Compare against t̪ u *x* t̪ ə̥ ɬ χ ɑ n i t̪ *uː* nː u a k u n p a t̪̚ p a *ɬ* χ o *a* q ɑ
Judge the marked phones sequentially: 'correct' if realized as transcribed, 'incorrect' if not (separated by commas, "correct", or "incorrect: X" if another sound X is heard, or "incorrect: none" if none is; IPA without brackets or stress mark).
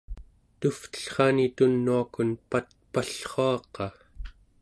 incorrect: f, incorrect: u, correct, incorrect: ɑ